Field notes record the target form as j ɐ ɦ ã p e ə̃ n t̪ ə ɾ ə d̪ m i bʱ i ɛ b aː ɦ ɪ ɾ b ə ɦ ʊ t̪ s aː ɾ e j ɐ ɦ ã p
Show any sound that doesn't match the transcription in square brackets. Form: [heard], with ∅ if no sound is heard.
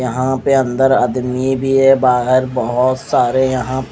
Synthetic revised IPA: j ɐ ɦ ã p e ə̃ n [d̪] ə ɾ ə d̪ m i bʱ i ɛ b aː ɦ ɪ ɾ b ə ɦ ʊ t̪ s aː ɾ e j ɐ ɦ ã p